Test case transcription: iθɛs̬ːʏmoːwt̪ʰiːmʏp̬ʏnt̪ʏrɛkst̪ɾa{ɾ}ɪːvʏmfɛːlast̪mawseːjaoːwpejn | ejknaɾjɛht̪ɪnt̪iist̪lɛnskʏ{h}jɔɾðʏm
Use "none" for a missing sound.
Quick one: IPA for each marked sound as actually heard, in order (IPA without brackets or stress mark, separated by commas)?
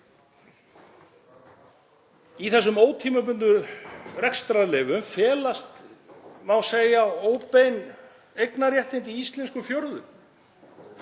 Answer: l, f